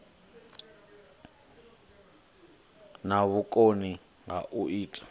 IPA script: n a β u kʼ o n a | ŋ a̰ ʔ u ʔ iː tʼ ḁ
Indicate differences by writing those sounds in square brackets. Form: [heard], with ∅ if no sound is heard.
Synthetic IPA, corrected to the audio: n a β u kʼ o n [i] | ŋ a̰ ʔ u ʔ iː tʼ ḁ